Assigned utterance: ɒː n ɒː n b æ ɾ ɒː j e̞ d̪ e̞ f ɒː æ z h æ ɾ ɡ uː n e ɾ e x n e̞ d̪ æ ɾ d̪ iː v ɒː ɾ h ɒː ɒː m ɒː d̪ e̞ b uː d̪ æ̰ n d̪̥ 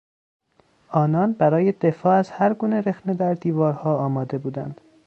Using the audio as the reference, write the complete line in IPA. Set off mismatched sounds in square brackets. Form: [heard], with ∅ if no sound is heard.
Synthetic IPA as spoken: ɒː n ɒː n b æ ɾ ɒː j e̞ d̪ e̞ f ɒː æ z h æ ɾ ɡ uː n e ɾ e x n e̞ d̪ æ ɾ d̪ iː v ɒː ɾ h ɒː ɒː m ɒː d̪ e̞ b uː d̪ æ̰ n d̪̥